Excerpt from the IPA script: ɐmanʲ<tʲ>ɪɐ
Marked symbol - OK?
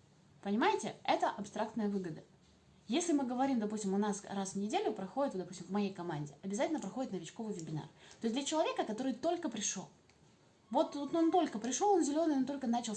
no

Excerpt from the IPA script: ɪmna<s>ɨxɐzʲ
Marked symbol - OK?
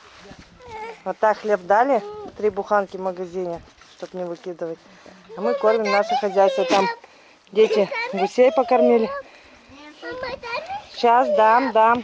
no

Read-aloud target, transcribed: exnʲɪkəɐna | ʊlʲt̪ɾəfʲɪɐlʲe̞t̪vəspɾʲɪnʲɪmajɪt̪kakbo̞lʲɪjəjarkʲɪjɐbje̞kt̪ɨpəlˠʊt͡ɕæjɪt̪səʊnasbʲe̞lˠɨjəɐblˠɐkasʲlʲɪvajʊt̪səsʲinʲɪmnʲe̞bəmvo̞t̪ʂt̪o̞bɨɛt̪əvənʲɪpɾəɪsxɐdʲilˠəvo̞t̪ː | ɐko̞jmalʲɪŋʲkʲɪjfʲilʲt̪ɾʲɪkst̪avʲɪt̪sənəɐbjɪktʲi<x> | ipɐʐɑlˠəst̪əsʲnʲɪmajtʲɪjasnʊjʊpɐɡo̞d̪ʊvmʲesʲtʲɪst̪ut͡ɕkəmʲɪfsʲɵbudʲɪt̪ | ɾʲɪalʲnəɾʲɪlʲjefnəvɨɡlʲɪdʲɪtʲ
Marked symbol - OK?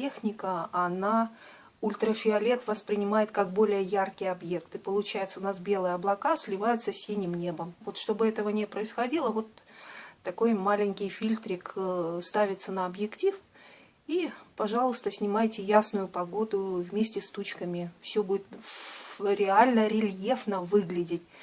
no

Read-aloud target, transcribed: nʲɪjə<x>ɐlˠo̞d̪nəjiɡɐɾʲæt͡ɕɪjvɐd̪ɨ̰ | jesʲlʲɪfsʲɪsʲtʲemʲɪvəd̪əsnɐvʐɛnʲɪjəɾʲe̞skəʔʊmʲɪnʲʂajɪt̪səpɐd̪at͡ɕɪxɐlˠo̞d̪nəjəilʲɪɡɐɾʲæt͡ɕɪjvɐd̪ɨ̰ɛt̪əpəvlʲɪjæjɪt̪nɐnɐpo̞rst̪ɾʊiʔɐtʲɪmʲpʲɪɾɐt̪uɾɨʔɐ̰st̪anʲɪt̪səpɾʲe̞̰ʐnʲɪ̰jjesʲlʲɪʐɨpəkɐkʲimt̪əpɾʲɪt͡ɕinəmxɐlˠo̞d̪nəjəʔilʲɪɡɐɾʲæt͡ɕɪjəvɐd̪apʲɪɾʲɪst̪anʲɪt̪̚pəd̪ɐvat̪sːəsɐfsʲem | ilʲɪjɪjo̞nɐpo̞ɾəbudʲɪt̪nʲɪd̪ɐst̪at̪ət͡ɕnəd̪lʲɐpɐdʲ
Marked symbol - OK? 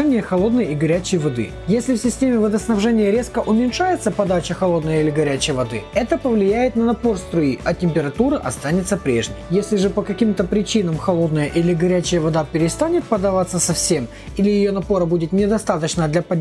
yes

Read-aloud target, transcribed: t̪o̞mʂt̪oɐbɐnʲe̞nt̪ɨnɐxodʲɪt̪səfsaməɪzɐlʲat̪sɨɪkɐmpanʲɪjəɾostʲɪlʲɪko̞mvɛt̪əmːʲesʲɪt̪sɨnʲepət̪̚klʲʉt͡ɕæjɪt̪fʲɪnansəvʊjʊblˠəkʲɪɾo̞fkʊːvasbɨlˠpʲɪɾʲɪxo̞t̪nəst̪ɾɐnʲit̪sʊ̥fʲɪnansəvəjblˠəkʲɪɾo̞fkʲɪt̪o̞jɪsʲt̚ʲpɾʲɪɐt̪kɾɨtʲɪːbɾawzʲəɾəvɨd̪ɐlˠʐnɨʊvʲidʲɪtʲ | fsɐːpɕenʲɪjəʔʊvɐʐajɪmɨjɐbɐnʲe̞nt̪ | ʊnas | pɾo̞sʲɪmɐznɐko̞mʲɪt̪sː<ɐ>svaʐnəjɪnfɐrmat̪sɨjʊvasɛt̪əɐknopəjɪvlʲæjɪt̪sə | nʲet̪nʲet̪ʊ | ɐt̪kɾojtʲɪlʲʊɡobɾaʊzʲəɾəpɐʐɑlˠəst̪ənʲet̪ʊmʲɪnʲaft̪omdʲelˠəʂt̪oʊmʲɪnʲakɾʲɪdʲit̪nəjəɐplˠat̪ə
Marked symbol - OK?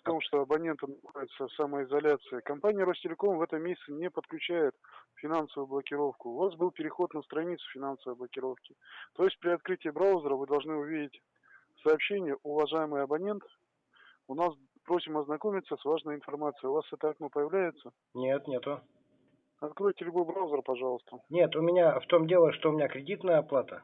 no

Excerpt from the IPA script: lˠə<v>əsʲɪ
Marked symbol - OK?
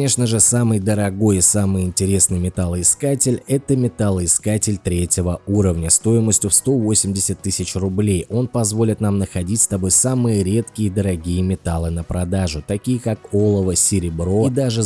yes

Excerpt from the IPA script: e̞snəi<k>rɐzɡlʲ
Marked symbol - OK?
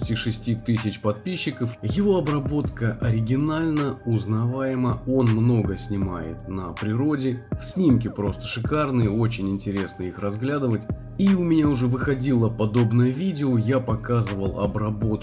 no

